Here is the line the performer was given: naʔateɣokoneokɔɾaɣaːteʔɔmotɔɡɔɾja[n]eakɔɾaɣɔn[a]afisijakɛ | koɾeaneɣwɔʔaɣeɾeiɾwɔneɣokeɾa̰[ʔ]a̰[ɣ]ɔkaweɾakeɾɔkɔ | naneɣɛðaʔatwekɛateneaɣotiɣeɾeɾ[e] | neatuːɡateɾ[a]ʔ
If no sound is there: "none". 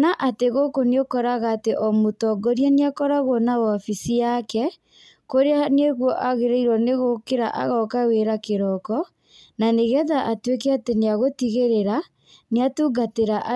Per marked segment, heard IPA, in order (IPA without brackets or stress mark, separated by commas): n, a, ʔ, ɣ, a, a